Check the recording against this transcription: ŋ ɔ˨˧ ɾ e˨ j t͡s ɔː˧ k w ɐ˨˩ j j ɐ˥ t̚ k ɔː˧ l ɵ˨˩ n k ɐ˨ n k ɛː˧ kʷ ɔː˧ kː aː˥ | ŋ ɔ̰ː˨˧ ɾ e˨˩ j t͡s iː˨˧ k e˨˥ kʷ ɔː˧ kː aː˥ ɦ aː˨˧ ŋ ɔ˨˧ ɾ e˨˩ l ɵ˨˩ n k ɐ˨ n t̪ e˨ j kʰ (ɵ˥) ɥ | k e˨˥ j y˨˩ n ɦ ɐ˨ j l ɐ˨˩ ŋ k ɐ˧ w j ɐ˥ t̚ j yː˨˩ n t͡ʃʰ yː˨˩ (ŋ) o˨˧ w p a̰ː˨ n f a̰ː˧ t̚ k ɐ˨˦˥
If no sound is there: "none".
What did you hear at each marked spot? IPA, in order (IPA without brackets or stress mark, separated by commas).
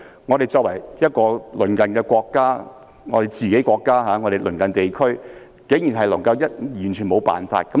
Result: ɵ˥, m